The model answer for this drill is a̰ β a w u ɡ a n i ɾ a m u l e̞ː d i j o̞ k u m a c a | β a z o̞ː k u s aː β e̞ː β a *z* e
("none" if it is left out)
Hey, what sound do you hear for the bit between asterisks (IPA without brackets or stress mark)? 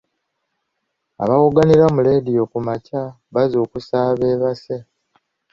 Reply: s